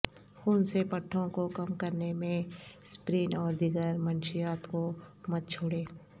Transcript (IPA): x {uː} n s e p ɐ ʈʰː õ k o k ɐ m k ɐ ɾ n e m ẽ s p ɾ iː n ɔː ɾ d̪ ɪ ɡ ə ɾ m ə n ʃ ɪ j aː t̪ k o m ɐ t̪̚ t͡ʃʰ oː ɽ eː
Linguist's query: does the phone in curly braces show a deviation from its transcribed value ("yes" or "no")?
no